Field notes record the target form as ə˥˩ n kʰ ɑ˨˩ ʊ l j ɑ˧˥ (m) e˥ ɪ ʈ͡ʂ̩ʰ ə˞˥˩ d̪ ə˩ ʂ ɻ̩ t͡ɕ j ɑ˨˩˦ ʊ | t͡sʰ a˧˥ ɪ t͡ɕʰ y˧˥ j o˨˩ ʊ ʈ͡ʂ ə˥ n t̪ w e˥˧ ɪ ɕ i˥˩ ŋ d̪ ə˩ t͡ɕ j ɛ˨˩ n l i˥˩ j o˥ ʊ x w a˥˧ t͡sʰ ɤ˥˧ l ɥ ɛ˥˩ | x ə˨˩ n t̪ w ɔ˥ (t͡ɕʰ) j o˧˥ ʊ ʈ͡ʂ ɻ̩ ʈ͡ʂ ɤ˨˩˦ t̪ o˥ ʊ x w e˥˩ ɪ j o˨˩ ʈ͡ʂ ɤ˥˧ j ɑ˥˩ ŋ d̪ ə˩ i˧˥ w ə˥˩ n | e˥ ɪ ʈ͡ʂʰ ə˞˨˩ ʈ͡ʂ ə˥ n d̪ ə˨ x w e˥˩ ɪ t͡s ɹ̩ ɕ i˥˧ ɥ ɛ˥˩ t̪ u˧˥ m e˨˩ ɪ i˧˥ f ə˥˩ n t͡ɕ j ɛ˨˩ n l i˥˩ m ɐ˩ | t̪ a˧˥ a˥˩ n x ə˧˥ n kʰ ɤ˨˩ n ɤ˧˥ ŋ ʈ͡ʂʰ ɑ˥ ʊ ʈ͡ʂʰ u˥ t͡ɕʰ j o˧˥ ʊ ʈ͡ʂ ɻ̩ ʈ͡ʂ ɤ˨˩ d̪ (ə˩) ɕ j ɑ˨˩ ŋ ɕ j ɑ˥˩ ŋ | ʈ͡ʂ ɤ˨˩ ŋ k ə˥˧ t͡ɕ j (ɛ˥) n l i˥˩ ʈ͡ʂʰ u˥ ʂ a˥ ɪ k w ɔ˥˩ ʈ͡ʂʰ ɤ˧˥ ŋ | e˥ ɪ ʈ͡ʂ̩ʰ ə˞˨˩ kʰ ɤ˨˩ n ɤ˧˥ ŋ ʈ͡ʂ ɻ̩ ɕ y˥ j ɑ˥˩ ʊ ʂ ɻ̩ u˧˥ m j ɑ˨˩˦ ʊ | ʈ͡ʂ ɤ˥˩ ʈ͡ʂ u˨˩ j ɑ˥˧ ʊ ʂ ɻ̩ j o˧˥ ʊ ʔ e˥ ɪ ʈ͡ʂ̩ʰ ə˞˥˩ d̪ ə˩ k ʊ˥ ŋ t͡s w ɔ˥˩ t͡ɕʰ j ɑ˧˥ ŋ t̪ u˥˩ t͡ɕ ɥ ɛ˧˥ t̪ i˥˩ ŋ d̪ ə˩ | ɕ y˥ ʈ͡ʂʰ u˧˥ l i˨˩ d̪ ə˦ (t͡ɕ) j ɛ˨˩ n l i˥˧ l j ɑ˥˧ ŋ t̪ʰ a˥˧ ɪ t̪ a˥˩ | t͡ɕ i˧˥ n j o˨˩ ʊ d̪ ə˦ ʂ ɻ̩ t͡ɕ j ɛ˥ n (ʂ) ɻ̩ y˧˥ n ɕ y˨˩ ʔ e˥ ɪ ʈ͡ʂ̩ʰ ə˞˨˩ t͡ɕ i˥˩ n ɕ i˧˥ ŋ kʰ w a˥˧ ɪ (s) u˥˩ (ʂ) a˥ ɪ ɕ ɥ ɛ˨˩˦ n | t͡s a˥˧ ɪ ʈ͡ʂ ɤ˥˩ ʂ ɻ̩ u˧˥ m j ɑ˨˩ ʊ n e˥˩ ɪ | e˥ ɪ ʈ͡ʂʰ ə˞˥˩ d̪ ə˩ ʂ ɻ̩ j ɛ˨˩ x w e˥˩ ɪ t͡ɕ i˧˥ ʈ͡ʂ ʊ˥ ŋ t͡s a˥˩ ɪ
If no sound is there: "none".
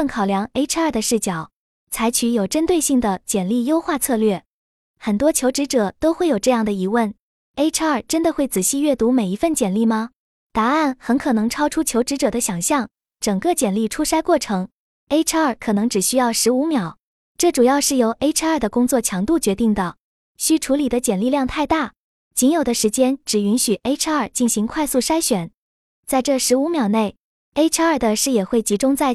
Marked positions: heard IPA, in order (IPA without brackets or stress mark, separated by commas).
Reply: ŋ, t͡ɕʰ, ə˦, ɛ˨˩, t͡ɕ, ʈ͡ʂ, s, ʂ